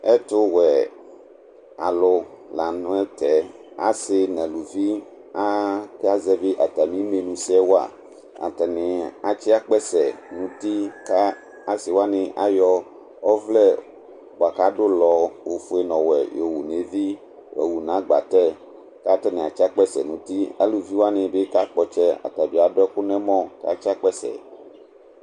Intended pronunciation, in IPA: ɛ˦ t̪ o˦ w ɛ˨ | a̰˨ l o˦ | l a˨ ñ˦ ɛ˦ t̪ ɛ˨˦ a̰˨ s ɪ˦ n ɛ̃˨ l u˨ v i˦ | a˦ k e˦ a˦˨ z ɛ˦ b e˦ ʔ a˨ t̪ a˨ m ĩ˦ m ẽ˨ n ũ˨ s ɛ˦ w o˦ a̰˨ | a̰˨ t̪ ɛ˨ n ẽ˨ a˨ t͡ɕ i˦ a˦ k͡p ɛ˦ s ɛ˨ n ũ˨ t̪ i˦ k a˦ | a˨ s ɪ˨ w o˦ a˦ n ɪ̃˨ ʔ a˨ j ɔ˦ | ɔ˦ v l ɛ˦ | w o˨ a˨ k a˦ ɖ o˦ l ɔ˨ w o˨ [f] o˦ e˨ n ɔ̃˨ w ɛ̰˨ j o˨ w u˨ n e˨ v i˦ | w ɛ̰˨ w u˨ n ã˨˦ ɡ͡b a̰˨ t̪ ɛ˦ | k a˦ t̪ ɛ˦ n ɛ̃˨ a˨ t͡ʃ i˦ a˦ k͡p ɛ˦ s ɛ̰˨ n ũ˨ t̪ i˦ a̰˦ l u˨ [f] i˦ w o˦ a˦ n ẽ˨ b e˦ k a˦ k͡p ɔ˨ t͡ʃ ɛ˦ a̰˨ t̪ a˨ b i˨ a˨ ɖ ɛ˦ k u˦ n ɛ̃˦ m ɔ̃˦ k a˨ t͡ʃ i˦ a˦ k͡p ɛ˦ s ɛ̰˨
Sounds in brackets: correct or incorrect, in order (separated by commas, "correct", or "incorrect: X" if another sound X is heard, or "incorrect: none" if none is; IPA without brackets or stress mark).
correct, incorrect: v